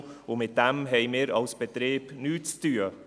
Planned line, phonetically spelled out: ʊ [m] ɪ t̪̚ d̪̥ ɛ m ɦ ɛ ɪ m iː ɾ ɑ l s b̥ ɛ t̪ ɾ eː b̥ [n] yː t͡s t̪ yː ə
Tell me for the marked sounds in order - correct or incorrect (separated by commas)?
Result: correct, correct